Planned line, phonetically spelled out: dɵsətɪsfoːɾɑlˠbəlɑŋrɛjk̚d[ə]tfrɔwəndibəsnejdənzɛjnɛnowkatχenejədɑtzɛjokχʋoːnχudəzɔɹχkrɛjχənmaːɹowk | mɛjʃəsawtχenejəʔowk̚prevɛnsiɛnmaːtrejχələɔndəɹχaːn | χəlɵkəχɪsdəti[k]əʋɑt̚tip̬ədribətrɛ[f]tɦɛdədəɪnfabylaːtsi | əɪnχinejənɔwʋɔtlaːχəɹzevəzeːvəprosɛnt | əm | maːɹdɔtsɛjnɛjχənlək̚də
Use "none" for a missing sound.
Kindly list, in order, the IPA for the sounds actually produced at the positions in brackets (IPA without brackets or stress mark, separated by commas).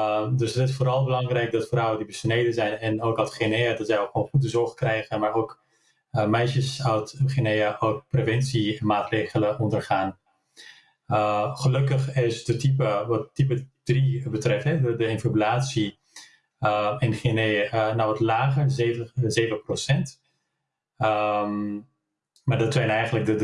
ɑ, p, f